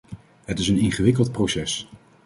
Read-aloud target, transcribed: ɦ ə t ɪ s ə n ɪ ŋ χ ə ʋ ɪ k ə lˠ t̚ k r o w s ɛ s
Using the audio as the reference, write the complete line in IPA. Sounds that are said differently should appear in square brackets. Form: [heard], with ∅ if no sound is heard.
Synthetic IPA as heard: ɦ ə t ɪ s ə n ɪ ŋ χ ə ʋ ɪ k ə lˠ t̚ [p] r o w s ɛ s